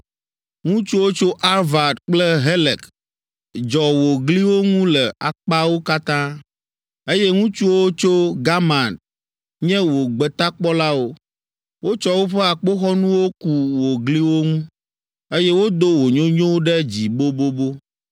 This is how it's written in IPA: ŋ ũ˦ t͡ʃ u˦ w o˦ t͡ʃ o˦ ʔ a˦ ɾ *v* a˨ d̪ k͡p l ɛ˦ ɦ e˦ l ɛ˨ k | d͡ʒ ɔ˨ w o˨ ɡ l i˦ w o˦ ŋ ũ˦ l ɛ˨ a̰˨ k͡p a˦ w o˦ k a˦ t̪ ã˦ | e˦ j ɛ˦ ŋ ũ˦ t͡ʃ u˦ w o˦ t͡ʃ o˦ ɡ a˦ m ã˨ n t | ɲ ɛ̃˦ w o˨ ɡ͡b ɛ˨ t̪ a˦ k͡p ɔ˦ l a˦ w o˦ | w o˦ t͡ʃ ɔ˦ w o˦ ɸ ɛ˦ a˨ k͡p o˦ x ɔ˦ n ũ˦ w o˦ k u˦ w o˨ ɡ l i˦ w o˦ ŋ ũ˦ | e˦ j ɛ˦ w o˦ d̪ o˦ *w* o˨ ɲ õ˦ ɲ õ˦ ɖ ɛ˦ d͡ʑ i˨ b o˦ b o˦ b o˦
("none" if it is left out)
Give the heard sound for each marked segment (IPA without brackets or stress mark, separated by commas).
v, w